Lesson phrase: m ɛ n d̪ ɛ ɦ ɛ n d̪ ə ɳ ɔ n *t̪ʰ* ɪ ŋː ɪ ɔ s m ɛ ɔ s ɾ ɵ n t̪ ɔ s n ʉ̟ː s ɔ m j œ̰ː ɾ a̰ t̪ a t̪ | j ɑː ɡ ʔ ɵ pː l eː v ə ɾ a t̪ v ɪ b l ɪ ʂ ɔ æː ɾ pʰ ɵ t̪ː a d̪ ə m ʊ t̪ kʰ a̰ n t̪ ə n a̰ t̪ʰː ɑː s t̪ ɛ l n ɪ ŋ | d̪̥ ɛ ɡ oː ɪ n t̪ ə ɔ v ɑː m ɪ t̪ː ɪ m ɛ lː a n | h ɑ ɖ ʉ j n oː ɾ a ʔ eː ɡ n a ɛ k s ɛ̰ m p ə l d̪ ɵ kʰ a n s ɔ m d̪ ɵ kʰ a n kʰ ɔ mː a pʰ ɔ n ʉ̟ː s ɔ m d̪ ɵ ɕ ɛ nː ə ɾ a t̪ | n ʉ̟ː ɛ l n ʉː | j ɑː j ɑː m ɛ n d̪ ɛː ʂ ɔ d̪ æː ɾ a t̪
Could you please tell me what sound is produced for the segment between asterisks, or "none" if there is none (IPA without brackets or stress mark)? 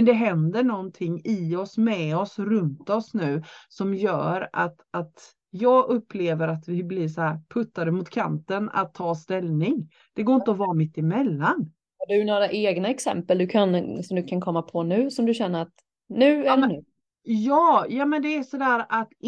t̪ʰ